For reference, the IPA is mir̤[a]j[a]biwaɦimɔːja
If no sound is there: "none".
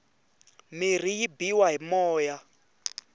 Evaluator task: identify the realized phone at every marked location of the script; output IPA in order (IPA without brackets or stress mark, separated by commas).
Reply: i, i